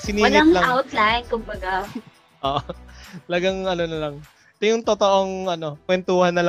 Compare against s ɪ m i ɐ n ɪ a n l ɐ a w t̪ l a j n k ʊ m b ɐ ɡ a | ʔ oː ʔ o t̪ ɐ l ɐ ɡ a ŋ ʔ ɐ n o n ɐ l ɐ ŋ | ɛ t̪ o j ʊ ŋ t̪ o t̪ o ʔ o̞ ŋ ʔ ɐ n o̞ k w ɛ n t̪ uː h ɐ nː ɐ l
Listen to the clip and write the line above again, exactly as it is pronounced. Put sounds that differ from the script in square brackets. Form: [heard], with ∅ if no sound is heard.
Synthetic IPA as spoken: s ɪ [n] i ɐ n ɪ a [ŋ] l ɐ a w t̪ l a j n k ʊ m b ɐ ɡ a | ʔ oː ʔ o t̪ ɐ l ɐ ɡ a ŋ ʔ ɐ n o n ɐ l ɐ ŋ | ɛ t̪ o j ʊ ŋ t̪ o t̪ o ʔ o̞ ŋ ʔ ɐ n o̞ k w ɛ n t̪ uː h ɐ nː ɐ l